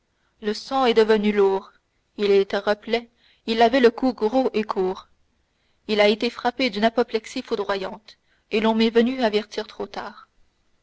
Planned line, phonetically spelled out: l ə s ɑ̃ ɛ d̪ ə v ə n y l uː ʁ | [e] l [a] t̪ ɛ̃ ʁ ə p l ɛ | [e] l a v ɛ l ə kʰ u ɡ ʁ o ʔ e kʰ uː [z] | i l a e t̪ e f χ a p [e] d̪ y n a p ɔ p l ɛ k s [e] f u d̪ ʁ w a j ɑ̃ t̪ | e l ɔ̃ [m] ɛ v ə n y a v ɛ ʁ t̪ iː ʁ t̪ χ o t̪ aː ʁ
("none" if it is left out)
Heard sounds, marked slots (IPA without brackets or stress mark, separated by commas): i, ɛ, i, ʁ, e, i, m